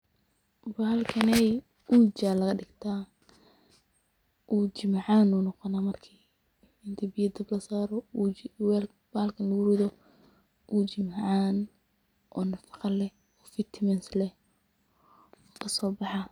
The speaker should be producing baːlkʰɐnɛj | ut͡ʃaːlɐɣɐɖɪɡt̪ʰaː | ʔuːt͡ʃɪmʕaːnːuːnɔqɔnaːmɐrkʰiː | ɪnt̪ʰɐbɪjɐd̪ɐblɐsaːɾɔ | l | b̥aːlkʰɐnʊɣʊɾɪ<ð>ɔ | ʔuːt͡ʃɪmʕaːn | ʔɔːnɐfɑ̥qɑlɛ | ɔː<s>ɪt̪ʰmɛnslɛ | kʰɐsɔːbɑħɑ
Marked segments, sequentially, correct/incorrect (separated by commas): correct, incorrect